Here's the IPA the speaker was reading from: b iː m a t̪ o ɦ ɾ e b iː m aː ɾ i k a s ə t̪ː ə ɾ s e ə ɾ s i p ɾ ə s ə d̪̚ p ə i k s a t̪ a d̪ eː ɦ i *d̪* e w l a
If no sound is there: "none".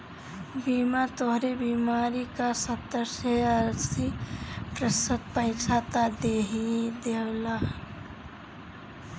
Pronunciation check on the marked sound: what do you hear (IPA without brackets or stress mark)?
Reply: d̪